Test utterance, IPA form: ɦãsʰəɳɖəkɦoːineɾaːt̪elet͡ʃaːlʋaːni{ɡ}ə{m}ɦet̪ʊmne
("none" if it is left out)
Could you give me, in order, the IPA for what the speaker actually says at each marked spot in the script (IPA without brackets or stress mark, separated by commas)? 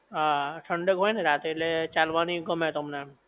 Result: ɡ, m